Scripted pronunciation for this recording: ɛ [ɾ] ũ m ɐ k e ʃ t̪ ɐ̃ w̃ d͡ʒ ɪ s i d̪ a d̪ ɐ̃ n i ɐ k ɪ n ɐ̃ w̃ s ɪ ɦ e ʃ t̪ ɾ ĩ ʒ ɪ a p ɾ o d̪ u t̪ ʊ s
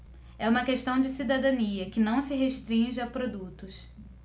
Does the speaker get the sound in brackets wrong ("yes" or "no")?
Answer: yes